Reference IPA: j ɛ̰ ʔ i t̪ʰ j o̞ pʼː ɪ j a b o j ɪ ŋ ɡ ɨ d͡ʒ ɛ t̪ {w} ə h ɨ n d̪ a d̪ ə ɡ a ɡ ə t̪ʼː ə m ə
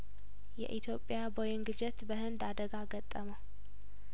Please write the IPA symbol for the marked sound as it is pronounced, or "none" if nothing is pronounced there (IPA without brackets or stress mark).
b